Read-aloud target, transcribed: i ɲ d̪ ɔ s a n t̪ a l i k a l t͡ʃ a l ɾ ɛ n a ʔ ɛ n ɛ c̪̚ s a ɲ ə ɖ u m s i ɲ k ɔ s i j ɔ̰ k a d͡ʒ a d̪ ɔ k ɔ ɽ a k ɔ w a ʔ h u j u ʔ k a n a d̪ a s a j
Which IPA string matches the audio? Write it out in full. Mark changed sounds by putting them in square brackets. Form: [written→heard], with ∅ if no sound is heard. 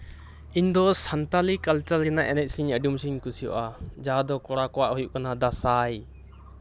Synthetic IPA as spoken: i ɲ d̪ ɔ s a n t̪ a l i k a l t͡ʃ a l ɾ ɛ n a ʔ ɛ n ɛ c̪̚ s [a→i] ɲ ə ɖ u m s i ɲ k [ɔ→u] s i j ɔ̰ [k→ʔ] a d͡ʒ a d̪ ɔ k ɔ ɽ a k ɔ w a ʔ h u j u ʔ k a n a d̪ a s a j